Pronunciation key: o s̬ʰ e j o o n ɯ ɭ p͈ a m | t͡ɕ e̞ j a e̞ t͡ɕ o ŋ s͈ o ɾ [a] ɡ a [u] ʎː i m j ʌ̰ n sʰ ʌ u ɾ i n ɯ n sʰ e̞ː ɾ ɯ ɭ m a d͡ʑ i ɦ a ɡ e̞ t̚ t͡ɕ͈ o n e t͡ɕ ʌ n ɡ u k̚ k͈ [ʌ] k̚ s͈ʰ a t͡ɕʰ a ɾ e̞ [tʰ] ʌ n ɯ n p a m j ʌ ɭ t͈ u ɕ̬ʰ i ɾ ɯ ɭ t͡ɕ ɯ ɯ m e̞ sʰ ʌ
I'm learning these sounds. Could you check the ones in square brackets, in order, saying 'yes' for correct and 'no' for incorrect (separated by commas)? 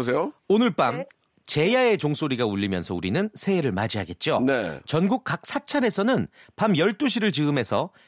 no, yes, no, no